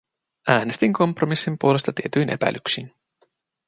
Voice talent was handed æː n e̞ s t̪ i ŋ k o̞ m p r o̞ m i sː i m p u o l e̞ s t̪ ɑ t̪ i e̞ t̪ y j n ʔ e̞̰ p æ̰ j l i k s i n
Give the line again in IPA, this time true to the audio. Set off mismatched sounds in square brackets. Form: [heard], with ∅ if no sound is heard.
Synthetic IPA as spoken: æː n e̞ s t̪ i ŋ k o̞ m p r o̞ m i sː i m p u o l e̞ s t̪ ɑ t̪ i e̞ t̪ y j n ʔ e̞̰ p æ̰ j l [y] k s i n